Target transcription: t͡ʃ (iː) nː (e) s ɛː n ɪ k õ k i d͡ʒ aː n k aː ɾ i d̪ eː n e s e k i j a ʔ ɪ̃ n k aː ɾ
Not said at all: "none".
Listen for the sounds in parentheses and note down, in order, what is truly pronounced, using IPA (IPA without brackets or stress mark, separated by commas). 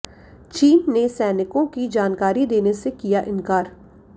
iː, e